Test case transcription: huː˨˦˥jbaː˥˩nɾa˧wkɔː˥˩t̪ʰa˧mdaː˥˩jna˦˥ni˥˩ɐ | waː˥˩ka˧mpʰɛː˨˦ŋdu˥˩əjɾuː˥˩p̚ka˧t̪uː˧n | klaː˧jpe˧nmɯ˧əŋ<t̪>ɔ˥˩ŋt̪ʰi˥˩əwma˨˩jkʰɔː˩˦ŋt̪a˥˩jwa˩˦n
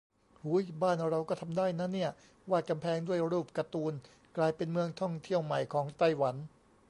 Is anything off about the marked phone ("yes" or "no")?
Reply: yes